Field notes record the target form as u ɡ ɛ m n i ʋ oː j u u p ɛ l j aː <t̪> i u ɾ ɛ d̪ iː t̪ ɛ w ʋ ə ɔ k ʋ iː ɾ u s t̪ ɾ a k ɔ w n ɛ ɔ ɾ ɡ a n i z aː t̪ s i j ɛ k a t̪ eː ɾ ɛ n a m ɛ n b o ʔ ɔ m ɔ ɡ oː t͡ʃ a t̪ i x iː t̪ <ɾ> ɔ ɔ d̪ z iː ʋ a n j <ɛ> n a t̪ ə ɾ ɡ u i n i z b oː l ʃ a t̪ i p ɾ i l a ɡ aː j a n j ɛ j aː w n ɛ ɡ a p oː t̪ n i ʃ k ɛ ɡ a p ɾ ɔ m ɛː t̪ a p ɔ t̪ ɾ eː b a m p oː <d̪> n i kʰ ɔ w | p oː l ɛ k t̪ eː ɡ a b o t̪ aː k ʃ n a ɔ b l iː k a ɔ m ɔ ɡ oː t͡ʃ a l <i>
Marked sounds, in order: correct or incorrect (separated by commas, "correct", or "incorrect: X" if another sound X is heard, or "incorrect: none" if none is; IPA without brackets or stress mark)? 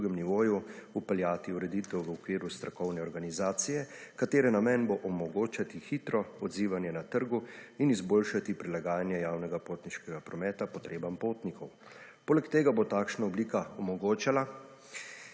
correct, correct, correct, incorrect: t̪, incorrect: a